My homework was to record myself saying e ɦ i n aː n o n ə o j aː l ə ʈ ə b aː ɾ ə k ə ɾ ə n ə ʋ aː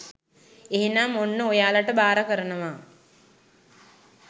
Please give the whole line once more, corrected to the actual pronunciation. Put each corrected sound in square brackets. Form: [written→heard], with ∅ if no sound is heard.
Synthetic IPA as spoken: e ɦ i n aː [n→m] o [n→nː] ə o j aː l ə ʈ ə b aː ɾ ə k ə ɾ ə n ə ʋ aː